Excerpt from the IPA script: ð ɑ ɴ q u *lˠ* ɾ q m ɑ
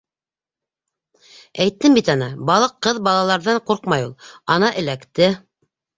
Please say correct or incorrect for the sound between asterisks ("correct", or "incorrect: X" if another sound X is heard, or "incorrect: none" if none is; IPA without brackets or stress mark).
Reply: incorrect: none